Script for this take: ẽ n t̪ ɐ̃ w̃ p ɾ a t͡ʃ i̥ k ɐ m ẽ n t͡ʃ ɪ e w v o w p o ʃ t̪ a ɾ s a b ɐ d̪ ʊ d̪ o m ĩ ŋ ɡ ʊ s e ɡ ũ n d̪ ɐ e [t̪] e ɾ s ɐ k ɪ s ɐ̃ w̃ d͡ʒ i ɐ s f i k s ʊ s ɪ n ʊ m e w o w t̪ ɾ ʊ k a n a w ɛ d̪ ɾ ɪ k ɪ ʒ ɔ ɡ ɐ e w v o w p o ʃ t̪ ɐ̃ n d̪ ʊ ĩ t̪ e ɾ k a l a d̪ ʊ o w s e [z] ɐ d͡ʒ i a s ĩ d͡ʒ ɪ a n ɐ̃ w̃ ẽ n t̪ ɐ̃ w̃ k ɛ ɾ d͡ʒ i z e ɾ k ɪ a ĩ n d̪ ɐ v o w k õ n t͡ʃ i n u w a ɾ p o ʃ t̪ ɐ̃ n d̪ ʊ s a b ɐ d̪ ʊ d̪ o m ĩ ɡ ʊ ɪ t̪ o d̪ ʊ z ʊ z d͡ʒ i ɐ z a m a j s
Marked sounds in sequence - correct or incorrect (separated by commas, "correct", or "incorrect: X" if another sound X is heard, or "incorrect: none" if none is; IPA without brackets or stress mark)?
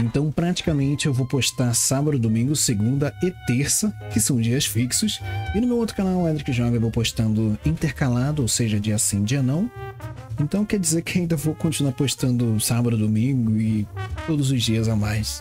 correct, incorrect: ʒ